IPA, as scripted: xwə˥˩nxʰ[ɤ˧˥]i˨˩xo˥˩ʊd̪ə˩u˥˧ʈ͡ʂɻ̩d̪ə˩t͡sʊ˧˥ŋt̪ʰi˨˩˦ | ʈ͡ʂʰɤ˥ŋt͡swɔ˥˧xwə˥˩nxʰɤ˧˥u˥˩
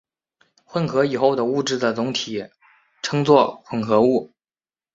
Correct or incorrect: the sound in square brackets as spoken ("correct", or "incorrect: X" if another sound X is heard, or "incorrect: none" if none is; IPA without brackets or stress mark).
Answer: correct